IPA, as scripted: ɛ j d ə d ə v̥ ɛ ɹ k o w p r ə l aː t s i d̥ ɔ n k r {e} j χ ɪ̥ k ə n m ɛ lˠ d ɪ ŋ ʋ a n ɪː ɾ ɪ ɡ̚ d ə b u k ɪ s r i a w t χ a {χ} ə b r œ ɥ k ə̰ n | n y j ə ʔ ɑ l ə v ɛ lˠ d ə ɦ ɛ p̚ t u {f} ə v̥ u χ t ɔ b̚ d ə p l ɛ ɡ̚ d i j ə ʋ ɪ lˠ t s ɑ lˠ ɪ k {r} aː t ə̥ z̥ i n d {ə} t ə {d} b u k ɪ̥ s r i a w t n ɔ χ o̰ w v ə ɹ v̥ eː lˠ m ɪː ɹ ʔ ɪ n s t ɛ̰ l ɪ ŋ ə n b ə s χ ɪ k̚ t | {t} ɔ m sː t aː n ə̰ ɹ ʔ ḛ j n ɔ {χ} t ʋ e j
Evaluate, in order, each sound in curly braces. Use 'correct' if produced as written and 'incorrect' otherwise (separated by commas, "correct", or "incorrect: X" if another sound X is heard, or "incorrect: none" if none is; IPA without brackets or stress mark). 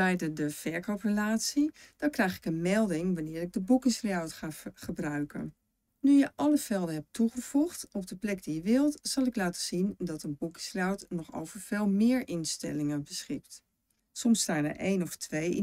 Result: incorrect: ɛ, correct, incorrect: χ, incorrect: l, incorrect: ɑ, incorrect: n, incorrect: s, incorrect: f